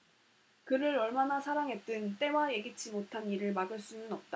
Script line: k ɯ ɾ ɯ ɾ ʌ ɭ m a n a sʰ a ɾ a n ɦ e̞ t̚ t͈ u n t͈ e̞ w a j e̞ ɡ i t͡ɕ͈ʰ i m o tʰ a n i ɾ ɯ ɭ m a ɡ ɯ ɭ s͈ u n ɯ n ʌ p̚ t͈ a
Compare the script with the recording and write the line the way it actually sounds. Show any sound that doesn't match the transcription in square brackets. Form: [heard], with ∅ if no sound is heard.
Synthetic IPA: k ɯ ɾ ɯ ɾ ʌ ɭ m a n a sʰ a ɾ a [ŋ] ɦ e̞ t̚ t͈ [ɯ] n t͈ e̞ w a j e̞ ɡ i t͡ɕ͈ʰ i m o tʰ a n i ɾ ɯ ɭ m a ɡ ɯ ɭ s͈ u n ɯ n ʌ p̚ t͈ a